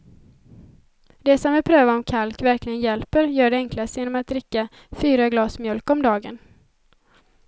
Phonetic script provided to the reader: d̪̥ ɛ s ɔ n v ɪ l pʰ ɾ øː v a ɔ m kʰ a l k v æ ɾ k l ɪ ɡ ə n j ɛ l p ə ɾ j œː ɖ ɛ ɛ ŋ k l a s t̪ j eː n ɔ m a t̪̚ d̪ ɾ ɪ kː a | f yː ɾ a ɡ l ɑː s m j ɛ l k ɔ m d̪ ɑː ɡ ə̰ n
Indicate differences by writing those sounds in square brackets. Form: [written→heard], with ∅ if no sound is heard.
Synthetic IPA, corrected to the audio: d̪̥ ɛ s ɔ [n→m] v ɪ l pʰ ɾ øː v a ɔ m kʰ a l k v æ ɾ k l ɪ ɡ ə n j ɛ l p ə ɾ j œː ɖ ɛ ɛ ŋ k l a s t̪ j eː n ɔ m a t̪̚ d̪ ɾ ɪ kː a | f yː ɾ a ɡ l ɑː s m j [ɛ→œ] l k ɔ m d̪ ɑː ɡ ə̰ n